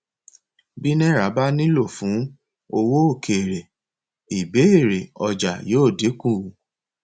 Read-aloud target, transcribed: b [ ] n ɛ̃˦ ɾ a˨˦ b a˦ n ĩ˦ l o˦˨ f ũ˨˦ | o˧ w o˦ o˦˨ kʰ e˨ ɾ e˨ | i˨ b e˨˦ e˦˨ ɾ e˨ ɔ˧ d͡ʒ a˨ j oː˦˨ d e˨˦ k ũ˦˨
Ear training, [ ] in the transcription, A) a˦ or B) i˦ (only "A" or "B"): B